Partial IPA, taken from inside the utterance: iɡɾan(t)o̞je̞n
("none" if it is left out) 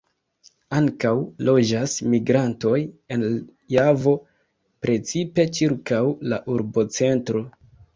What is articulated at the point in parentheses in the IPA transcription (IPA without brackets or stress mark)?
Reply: t